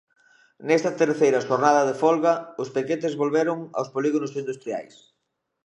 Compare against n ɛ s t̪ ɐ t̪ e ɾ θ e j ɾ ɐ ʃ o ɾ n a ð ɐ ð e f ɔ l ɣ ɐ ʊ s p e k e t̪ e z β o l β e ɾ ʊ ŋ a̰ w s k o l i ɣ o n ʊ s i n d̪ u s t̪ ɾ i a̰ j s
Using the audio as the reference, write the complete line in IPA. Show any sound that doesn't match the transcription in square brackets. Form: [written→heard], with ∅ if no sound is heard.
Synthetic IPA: n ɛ s t̪ ɐ t̪ e ɾ θ e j ɾ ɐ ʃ o ɾ n a ð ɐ ð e f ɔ l ɣ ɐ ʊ s p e k e t̪ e z β o l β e ɾ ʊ ŋ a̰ w s [k→p] o l i ɣ o n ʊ s i n d̪ u s t̪ ɾ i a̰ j s